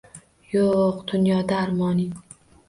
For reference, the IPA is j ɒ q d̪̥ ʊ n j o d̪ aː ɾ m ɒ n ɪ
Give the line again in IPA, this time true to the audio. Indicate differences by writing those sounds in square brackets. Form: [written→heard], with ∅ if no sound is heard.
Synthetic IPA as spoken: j [ɒ→o] q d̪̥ ʊ n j [o→ɒ] d̪ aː ɾ m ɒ n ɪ